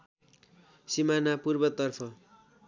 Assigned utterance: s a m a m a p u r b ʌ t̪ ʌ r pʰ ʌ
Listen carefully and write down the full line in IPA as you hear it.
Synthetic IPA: s i m a n a p u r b ʌ t̪ ʌ r pʰ ʌ